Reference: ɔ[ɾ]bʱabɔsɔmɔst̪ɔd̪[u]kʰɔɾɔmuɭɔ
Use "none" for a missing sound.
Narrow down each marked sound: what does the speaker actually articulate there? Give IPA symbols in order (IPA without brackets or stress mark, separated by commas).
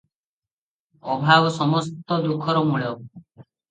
none, u